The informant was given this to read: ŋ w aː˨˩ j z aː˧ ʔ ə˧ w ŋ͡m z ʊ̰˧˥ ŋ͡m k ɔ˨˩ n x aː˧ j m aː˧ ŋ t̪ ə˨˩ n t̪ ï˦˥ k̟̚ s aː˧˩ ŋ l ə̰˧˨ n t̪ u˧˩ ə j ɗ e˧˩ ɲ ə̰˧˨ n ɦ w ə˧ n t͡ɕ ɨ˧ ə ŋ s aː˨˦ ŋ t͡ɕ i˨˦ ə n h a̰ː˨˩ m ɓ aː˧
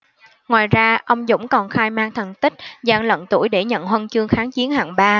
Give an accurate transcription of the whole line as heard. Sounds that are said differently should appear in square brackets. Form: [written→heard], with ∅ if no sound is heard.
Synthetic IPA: ŋ w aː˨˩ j z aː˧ ʔ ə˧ w ŋ͡m z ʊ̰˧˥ ŋ͡m k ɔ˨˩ n x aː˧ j m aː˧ ŋ [t̪→t̪ʰ] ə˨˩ n t̪ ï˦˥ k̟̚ [s→z] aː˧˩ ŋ l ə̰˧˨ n t̪ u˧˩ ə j ɗ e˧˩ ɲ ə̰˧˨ n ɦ w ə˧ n t͡ɕ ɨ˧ ə ŋ [s→x] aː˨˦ ŋ t͡ɕ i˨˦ ə n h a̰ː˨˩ [m→ŋ] ɓ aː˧

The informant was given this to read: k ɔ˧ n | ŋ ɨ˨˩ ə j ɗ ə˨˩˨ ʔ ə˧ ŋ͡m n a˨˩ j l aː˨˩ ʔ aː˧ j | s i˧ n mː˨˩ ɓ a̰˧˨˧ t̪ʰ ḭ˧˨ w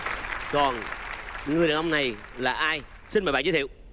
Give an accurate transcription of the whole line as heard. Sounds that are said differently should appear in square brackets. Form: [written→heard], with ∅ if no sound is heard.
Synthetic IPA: k [ɔ˧→ɔ˨˩] n | ŋ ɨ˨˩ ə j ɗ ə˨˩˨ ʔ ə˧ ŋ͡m n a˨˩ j l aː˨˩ ʔ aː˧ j | s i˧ n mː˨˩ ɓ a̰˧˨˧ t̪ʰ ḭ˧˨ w

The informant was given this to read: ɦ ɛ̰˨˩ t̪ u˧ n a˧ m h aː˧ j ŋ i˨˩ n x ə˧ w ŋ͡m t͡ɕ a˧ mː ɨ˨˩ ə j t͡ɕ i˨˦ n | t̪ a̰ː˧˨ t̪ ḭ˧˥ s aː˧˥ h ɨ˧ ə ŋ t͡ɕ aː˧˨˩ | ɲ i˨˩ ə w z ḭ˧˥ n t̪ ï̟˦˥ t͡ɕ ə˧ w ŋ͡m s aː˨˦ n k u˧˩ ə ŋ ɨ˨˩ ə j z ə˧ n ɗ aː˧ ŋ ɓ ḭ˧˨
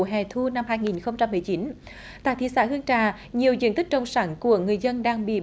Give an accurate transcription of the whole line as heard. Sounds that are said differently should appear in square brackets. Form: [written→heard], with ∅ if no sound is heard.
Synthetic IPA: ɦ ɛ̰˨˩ [t̪→t̪ʰ] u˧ n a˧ m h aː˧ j ŋ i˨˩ n x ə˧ w ŋ͡m t͡ɕ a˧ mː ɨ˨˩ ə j t͡ɕ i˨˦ n | t̪ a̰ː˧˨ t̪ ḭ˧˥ s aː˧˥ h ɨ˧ ə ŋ t͡ɕ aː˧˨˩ | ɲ i˨˩ ə w z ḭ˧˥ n t̪ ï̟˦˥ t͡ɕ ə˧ w ŋ͡m s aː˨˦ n k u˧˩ ə ŋ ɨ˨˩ ə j z ə˧ n ɗ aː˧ ŋ ɓ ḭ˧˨

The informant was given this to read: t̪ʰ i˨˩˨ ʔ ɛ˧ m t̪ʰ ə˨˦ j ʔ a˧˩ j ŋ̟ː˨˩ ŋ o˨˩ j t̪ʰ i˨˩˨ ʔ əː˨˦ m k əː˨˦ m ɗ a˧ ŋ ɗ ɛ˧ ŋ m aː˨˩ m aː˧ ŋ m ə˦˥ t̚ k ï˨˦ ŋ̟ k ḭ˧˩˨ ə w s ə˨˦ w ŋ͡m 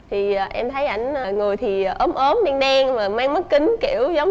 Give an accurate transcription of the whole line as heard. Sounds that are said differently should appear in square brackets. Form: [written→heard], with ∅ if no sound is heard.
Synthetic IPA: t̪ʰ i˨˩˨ ʔ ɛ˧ m t̪ʰ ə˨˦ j ʔ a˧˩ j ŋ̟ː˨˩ ŋ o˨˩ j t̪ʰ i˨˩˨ ʔ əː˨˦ m [k→ʔ] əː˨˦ m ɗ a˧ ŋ ɗ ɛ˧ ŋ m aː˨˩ m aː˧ ŋ m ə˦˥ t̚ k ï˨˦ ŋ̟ k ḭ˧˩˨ ə w [s→z] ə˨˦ w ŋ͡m

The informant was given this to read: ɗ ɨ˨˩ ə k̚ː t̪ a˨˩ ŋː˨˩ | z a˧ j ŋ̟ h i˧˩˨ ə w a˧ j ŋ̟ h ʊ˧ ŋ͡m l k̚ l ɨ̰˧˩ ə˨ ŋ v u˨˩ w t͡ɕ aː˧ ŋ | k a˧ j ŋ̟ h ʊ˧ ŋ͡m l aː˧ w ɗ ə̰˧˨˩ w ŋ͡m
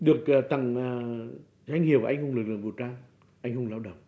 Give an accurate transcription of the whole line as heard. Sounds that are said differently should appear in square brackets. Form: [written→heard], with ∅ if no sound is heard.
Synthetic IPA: ɗ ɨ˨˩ ə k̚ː t̪ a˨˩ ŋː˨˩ | z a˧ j ŋ̟ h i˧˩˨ ə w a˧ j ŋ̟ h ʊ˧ ŋ͡m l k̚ l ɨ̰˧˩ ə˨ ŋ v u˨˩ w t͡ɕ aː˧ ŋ | [k→ʔ] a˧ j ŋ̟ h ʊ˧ ŋ͡m l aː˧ w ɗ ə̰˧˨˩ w ŋ͡m

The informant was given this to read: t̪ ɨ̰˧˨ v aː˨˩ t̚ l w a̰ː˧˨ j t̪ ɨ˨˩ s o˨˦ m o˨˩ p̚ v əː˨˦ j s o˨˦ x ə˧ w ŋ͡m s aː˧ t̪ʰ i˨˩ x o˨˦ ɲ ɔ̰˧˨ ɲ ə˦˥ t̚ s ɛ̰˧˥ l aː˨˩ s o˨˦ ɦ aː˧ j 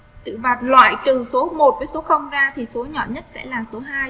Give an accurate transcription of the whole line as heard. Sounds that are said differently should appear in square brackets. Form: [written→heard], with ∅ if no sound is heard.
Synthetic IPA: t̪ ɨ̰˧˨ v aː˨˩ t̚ l w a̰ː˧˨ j t̪ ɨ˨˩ s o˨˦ m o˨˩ [p̚→t̚] v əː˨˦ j s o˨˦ x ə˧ w ŋ͡m [s→z] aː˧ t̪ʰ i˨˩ [x→s] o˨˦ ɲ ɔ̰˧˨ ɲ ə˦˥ t̚ s ɛ̰˧˥ l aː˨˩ s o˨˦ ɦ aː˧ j

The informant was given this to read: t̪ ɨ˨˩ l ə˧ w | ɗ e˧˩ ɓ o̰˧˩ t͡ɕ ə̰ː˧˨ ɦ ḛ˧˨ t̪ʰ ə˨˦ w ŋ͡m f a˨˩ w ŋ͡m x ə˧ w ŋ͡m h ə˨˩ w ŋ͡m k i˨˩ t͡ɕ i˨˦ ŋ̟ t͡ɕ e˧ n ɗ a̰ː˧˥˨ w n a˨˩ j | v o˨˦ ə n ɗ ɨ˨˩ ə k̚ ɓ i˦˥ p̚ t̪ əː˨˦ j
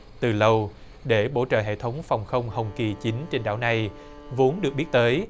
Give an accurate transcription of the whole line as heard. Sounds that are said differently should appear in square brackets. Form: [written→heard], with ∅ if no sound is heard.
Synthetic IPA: t̪ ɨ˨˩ l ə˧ w | ɗ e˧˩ ɓ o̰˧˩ t͡ɕ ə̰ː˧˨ ɦ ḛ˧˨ t̪ʰ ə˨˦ w ŋ͡m f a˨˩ w ŋ͡m x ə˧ w ŋ͡m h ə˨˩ w ŋ͡m k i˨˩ t͡ɕ i˨˦ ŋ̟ t͡ɕ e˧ n ɗ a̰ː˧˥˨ w n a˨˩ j | v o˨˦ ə n ɗ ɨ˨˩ ə k̚ ɓ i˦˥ [p̚→t̚] t̪ əː˨˦ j

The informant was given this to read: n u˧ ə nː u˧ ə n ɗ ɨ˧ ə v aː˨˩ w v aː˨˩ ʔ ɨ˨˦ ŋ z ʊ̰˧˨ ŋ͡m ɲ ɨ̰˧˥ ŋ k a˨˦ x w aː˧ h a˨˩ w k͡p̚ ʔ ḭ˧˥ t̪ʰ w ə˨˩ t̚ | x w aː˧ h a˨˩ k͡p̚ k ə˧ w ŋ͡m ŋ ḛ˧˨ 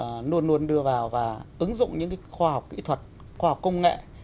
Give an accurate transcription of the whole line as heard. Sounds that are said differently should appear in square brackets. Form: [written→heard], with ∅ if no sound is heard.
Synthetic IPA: n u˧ ə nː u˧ ə n ɗ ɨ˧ ə v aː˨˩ w v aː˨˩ ʔ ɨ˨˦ ŋ z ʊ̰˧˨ ŋ͡m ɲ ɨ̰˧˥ ŋ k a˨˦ x w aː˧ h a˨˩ w k͡p̚ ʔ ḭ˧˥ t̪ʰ w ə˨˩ t̚ | x w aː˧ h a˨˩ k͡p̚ k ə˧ w ŋ͡m ŋ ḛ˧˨

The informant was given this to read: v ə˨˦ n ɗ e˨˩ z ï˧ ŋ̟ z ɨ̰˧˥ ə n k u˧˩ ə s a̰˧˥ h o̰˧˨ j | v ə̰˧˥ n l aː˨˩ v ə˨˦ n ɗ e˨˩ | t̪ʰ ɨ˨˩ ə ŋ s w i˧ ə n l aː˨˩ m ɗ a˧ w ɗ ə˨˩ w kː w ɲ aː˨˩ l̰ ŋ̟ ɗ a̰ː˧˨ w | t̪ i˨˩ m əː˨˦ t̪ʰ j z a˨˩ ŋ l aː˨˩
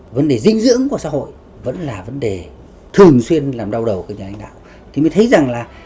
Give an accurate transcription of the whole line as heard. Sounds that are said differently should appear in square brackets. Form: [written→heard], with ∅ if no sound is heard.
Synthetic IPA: v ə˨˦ n ɗ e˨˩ z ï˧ ŋ̟ z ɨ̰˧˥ ə [n→ŋ] k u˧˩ ə s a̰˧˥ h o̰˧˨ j | v ə̰˧˥ n l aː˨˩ v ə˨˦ n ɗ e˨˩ | t̪ʰ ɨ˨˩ ə ŋ s w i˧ ə n l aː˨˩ m ɗ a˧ w ɗ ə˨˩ w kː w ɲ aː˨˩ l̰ ŋ̟ ɗ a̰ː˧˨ w | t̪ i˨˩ m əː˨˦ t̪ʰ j z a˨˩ ŋ l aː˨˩

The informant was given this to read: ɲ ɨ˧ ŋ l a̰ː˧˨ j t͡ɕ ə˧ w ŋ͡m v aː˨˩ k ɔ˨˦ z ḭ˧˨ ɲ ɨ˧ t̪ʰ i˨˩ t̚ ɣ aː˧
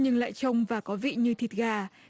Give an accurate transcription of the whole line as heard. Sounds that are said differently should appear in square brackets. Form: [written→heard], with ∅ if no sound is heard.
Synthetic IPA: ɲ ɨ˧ ŋ l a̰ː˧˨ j t͡ɕ ə˧ w ŋ͡m v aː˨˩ k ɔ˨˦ [z→v] ḭ˧˨ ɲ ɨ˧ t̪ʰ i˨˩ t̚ ɣ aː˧

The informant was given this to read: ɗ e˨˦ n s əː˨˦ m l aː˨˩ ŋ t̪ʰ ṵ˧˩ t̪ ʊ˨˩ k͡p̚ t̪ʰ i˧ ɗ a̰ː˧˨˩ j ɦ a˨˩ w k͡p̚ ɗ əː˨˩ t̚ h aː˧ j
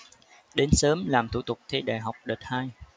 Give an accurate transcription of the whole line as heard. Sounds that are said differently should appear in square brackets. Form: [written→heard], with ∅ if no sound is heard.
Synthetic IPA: ɗ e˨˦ n s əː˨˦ m l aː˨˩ [ŋ→m] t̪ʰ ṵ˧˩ t̪ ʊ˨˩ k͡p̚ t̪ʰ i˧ ɗ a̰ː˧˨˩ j ɦ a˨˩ w k͡p̚ ɗ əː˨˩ t̚ h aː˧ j

